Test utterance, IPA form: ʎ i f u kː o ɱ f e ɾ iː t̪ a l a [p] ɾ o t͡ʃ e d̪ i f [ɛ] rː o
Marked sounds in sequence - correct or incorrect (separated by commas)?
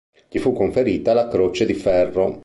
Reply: incorrect, correct